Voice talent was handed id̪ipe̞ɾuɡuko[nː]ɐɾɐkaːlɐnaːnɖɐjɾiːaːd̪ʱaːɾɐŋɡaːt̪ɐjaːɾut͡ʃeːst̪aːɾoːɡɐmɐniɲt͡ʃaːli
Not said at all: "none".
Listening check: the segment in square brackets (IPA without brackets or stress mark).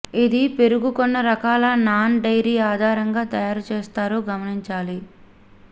nː